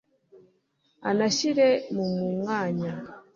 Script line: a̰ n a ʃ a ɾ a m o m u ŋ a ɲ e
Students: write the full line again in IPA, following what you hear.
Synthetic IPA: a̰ n a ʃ i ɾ ɛ m u m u ŋ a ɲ a

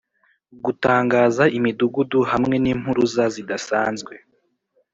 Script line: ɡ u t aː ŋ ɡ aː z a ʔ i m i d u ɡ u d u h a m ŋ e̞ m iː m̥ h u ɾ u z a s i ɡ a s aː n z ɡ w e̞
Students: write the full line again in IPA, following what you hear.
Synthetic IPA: ɡ u t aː ŋ ɡ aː z a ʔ i m i d u ɡ u d u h a m ŋ e̞ n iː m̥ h u ɾ u z a z i d a s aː n z ɡ w e̞

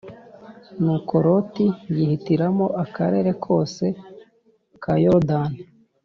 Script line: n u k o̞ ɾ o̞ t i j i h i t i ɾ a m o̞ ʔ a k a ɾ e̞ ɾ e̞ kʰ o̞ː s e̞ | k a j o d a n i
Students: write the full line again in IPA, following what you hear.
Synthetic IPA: n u k o̞ ɾ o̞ t i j i h i t i ɾ a m o̞ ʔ a k a ɾ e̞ ɾ e̞ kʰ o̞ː s e̞ | k a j o d a n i

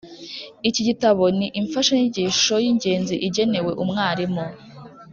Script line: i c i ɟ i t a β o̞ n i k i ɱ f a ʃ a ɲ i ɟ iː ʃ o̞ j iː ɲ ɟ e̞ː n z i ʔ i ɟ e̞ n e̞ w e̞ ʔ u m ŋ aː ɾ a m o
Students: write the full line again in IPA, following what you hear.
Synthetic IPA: i c i ɟ i t a β o̞ n i ʔ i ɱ f a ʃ a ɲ i ɟ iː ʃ o̞ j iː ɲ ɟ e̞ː n z i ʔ i ɟ e̞ n e̞ w e̞ ʔ u m ŋ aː ɾ i m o

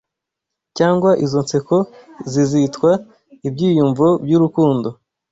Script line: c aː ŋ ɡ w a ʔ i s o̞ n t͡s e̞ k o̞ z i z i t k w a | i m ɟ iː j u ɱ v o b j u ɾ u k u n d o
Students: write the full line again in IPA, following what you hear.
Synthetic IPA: c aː ŋ ɡ w a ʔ i z o̞ n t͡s e̞ k o̞ z i z i t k w a | i b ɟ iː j u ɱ v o b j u ɾ u k uː n d o

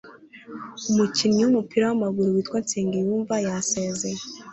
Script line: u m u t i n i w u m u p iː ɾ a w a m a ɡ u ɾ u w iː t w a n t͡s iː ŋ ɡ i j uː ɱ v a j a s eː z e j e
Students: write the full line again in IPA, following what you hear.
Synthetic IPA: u m u c i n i w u m u p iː ɾ a w a m a ɡ u ɾ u w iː t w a n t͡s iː ŋ ɡ i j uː ɱ v a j a s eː z e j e

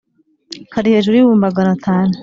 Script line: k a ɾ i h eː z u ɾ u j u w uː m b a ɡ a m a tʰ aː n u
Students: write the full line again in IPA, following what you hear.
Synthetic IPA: k a ɾ i h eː ʒ u ɾ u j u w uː m b a ɡ a n a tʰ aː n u

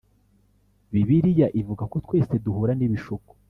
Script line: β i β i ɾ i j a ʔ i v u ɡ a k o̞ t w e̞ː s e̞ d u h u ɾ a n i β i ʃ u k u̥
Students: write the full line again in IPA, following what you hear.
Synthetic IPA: β i β i ɾ i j a ʔ i v u ɡ a k o̞ t w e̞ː s e̞ d u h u ɾ a n i β i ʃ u k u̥

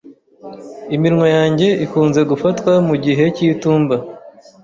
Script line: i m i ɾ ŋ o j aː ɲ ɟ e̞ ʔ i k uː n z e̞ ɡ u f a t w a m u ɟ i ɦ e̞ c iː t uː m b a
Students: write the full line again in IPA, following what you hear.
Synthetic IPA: i m i ɾ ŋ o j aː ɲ ɟ e̞ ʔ i k uː n z e̞ ɡ u f a t w a m u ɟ i ɦ e̞ c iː t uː m b a

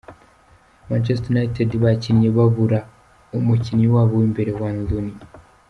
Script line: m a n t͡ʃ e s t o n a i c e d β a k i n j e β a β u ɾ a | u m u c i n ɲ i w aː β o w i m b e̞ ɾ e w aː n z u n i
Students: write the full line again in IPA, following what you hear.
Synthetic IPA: m a n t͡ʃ e s t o n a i t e d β a c i n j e β a β u ɾ a | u m u c i n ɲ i w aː β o w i m b e̞ ɾ e w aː n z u n i

